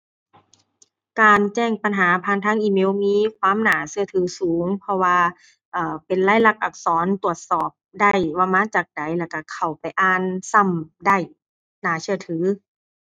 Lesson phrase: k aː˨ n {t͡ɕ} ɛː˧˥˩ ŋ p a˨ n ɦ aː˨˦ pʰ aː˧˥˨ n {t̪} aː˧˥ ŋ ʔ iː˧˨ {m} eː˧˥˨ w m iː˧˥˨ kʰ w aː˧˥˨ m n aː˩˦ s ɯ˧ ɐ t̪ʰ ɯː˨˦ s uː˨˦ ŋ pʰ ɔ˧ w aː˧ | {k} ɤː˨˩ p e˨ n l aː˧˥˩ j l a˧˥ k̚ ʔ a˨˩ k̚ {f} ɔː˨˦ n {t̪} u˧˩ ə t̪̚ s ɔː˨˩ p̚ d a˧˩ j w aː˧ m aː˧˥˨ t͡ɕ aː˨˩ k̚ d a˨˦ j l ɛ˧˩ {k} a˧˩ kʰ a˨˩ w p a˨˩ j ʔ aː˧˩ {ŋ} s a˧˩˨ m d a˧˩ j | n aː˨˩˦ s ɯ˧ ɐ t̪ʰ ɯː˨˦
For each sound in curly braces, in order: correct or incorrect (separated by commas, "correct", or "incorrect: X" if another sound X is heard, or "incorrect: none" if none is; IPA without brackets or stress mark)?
correct, incorrect: t̪ʰ, correct, incorrect: ʔ, incorrect: s, correct, correct, incorrect: n